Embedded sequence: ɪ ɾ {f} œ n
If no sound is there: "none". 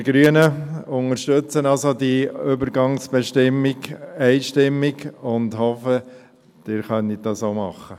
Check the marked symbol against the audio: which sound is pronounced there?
χ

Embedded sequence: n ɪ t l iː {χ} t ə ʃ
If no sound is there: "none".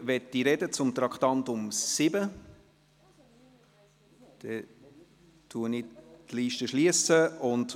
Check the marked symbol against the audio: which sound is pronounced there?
ʃ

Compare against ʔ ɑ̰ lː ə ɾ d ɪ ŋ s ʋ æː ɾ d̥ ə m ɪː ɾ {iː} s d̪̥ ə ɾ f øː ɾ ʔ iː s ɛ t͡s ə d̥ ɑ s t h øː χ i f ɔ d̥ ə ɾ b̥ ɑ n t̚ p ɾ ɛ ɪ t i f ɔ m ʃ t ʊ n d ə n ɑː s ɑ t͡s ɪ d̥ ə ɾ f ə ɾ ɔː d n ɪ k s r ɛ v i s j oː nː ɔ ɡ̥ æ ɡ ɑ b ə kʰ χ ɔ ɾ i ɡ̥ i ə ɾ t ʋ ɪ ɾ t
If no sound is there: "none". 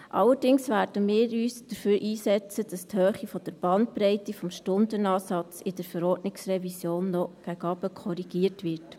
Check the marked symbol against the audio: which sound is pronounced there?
yː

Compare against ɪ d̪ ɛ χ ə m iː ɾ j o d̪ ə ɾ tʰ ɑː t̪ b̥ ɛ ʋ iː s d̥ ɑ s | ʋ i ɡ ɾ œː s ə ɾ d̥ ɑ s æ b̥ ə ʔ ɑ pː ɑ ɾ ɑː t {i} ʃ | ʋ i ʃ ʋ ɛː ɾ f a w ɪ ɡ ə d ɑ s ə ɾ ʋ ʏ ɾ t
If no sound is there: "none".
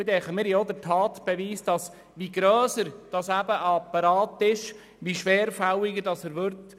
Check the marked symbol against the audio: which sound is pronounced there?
ɪ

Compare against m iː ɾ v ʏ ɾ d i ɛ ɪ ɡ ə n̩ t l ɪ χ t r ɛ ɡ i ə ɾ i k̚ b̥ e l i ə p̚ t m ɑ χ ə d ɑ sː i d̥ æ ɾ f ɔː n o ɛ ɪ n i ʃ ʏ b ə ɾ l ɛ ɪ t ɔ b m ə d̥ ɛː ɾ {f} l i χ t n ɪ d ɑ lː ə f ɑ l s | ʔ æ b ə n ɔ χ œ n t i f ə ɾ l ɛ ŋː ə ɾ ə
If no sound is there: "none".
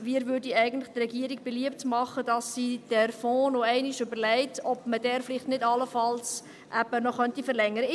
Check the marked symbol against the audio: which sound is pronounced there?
f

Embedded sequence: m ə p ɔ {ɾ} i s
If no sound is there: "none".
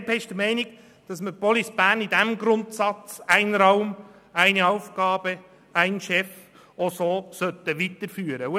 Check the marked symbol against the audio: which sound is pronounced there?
l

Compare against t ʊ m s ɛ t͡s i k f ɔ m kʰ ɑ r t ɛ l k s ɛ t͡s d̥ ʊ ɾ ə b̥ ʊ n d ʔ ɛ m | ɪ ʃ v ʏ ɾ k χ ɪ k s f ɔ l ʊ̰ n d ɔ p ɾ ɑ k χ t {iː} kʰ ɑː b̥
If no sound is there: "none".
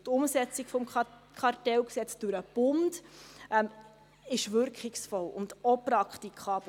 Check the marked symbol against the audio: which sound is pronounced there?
i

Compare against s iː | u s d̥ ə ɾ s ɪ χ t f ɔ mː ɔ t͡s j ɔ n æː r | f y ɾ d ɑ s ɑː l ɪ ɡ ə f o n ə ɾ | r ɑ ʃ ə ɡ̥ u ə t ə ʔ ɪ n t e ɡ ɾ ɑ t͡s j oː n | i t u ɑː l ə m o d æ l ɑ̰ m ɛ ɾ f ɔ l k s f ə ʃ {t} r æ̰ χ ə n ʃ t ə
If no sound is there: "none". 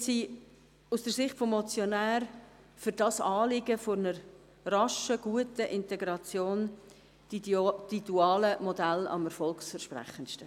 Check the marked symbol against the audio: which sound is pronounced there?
p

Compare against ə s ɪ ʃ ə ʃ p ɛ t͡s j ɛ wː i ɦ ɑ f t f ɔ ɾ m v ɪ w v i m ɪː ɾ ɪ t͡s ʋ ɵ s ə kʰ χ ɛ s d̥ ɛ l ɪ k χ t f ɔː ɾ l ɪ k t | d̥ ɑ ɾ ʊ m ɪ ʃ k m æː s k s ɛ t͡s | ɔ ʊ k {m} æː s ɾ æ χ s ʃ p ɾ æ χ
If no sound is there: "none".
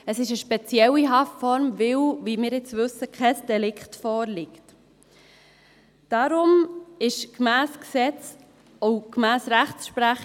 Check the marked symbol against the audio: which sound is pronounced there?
m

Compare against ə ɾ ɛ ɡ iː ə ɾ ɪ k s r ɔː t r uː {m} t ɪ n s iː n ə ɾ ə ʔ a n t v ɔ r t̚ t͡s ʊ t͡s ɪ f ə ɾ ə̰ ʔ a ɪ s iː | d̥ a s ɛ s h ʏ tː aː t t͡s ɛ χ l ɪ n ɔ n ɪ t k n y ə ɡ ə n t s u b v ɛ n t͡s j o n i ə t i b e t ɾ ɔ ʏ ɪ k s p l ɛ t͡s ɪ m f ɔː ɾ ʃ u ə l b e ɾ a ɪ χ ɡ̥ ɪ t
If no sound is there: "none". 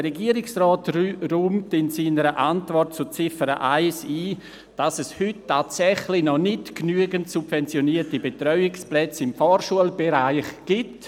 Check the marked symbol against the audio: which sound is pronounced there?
m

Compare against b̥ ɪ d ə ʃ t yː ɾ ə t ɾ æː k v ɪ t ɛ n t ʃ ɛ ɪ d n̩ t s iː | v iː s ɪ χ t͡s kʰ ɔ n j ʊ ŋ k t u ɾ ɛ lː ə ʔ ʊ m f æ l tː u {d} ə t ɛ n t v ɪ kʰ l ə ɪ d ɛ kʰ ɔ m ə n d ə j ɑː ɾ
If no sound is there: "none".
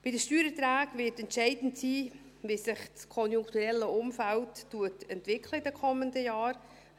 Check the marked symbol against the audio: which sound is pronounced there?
none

